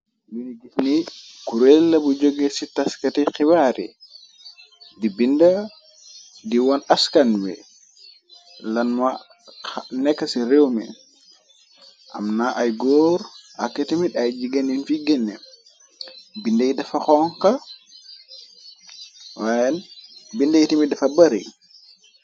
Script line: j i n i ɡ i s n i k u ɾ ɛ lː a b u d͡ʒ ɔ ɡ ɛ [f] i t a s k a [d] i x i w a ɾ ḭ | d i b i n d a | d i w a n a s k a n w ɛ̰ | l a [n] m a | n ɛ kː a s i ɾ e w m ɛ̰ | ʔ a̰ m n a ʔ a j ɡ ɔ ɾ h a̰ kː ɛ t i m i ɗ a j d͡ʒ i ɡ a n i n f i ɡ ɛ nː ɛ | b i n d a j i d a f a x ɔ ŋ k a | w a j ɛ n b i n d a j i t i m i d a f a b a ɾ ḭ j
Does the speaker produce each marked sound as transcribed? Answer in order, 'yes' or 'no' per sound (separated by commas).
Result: no, no, yes